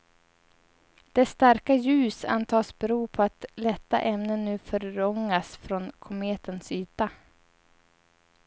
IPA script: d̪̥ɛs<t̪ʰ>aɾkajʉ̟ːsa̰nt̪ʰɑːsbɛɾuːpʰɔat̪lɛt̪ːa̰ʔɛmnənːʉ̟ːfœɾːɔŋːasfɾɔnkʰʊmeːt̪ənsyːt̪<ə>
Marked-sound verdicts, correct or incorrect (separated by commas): incorrect, incorrect